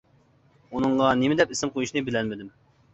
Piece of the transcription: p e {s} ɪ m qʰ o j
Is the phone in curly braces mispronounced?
no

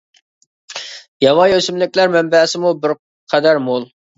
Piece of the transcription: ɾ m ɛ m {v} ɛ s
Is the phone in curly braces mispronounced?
yes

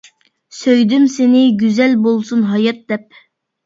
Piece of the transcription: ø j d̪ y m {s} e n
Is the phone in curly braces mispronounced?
no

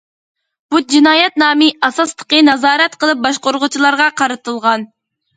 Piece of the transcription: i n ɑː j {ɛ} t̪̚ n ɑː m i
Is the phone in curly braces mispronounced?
no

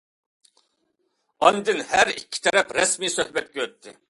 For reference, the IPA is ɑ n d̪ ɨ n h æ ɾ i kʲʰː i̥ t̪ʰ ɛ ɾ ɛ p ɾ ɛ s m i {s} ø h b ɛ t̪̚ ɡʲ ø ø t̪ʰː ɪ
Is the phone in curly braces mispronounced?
no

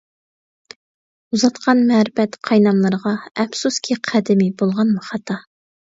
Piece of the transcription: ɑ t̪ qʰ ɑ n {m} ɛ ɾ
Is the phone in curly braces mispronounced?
no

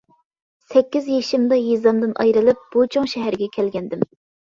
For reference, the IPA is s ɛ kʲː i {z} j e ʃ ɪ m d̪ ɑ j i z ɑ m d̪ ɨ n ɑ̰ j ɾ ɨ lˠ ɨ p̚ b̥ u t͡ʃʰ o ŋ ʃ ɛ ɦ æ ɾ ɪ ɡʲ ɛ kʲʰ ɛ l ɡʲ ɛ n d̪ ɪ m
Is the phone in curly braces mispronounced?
no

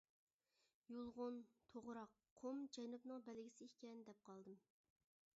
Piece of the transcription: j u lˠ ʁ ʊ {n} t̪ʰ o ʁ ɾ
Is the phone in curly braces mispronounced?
no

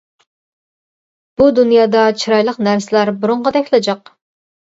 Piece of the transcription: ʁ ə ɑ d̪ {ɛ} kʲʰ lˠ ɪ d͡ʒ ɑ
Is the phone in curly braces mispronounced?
no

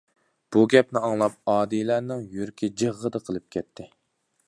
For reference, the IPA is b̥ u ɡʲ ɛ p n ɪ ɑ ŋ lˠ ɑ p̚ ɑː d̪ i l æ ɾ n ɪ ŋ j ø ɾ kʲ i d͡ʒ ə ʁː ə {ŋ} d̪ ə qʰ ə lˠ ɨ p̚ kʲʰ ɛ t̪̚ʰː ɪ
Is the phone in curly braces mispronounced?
yes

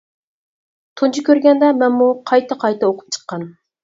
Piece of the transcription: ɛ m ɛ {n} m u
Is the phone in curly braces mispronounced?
no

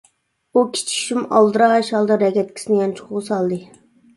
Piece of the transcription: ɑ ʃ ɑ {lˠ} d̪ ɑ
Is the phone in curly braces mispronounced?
no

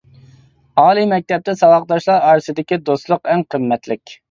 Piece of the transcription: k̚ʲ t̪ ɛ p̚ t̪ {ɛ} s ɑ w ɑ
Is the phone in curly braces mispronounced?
no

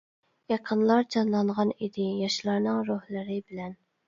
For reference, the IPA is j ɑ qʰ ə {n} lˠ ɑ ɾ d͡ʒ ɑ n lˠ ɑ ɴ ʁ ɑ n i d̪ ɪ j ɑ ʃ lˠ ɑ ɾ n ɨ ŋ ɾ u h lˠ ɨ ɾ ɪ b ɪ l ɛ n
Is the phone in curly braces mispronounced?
no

